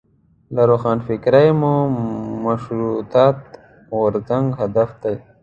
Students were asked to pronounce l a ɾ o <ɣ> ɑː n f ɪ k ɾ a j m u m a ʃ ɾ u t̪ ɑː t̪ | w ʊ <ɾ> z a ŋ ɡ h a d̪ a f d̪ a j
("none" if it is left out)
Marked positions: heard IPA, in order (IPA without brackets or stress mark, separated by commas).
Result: x, ɾ